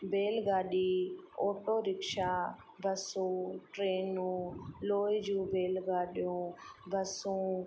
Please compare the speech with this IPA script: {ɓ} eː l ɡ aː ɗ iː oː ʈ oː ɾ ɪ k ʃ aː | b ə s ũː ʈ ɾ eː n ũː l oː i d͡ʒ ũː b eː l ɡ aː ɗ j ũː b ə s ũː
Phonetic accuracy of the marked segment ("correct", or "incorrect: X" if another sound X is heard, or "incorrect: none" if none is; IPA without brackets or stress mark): incorrect: b